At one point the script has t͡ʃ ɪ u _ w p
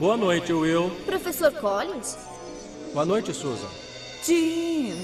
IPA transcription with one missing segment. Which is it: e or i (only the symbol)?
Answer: e